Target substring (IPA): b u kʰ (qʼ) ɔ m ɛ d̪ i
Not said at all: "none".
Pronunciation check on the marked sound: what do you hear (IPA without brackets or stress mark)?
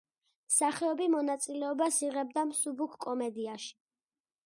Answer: kʼ